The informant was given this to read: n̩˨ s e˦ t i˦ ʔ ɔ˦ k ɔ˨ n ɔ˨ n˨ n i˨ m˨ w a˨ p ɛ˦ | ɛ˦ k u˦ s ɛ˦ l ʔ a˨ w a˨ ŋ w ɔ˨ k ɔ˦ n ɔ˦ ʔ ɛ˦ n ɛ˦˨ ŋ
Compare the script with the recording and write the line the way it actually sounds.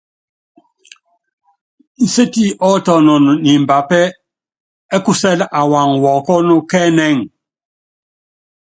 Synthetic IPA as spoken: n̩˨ s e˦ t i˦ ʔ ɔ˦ t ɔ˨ n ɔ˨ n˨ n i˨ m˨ b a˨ p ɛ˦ | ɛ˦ k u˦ s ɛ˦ l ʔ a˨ w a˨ ŋ w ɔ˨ k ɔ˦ n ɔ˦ k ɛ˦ n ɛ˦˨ ŋ